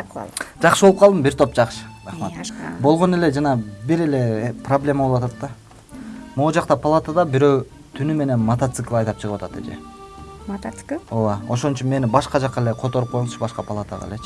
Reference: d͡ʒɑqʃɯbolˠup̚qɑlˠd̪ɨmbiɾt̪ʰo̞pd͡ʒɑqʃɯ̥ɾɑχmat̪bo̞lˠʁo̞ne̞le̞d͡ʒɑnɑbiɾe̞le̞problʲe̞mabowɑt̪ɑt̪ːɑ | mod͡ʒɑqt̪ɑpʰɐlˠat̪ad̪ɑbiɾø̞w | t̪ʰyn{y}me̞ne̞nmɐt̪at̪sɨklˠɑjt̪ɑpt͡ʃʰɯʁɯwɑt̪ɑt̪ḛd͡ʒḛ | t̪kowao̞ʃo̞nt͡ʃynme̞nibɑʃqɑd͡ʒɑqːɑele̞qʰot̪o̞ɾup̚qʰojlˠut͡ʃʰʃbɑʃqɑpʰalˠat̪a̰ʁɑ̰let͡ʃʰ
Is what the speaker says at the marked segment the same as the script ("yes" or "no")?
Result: yes